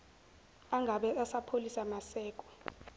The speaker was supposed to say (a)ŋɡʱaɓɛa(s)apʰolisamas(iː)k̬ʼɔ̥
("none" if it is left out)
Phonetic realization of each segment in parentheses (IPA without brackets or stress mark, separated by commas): a, s, ɛː